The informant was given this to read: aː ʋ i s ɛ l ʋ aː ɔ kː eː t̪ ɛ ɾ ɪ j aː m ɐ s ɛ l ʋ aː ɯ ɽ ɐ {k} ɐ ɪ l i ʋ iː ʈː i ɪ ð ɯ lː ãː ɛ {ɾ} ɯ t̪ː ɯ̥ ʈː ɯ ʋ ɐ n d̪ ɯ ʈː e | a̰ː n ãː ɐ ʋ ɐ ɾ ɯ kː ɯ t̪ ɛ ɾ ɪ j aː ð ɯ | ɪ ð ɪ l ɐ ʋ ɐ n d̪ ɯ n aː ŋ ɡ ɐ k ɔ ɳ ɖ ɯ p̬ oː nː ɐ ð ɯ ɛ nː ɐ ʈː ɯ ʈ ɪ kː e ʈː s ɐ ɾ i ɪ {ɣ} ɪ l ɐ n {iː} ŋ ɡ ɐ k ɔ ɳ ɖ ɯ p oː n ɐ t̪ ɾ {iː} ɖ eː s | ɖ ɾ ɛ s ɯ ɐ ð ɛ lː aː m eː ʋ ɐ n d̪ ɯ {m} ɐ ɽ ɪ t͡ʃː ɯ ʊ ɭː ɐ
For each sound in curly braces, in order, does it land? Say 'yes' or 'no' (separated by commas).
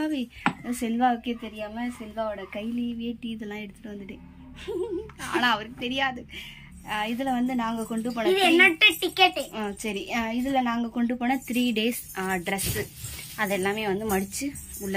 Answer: yes, no, no, no, yes, yes